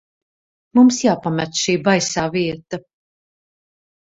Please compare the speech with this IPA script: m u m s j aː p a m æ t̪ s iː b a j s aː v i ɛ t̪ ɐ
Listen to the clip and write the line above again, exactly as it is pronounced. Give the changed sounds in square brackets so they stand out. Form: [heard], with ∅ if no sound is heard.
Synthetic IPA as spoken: m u m s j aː p a m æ t̪ [ʃ] iː b a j s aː v i ɛ t̪ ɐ